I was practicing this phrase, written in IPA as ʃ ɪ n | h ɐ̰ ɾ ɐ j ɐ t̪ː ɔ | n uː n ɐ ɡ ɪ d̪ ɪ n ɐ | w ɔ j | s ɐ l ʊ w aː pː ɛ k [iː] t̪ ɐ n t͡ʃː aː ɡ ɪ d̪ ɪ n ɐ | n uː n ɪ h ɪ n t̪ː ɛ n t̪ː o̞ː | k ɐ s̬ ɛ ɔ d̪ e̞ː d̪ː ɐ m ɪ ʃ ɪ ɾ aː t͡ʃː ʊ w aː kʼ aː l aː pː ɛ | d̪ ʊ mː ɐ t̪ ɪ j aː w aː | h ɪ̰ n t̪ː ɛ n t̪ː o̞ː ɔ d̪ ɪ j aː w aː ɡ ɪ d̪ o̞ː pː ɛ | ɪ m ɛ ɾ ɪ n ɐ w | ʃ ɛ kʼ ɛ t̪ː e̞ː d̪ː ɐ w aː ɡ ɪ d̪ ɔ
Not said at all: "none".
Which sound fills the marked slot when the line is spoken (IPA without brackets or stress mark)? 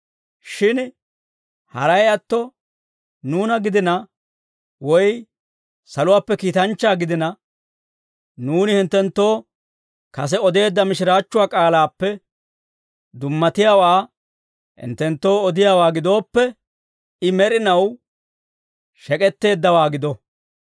iː